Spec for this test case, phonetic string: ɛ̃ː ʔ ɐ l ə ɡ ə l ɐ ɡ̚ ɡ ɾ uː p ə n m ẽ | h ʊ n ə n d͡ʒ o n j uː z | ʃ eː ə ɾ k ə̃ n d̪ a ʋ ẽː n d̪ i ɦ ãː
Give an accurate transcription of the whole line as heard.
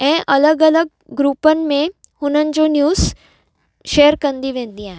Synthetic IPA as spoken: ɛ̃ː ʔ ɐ l ə ɡ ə l ə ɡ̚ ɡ ɾ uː p ə n m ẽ | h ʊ n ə n d͡ʒ o n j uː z | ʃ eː ə ɾ k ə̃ n d̪ i ʋ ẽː n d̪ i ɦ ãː